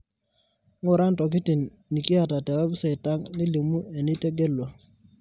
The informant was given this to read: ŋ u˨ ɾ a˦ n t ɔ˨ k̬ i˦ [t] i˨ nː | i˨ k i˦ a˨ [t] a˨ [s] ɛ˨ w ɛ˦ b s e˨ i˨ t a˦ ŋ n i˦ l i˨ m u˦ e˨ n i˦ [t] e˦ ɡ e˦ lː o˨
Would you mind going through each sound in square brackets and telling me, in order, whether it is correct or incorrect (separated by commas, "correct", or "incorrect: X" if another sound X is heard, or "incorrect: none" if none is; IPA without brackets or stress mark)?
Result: correct, correct, incorrect: t, correct